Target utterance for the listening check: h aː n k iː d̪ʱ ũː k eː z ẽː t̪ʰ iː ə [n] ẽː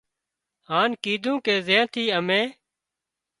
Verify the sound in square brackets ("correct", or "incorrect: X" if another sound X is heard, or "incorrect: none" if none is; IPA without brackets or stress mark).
incorrect: m